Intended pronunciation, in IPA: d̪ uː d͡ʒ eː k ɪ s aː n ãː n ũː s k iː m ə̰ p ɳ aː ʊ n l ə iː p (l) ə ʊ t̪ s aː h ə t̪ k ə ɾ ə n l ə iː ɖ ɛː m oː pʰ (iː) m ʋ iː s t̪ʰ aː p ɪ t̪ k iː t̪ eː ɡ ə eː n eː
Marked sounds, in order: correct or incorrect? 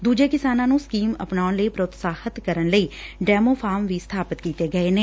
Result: incorrect: ɾ, incorrect: aː

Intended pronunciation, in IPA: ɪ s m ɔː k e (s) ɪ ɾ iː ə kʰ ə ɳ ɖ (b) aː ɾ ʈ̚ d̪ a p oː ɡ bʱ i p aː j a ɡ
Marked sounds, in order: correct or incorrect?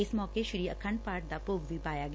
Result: incorrect: ʃ, incorrect: p

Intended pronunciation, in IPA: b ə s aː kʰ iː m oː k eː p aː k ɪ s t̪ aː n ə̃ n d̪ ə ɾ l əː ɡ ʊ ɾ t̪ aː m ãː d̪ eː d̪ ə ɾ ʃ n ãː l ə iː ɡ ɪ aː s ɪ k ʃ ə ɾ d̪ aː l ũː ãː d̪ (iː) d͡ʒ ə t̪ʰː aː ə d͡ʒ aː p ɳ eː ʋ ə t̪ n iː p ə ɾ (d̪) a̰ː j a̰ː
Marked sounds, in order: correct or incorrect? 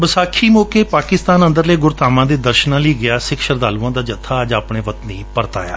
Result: incorrect: aː, incorrect: t̪

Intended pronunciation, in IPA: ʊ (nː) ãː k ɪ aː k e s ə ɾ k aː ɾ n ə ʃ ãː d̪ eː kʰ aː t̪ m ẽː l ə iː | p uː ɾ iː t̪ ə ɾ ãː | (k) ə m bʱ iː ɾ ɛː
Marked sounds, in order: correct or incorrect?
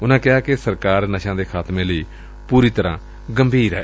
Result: incorrect: n, incorrect: ɡ

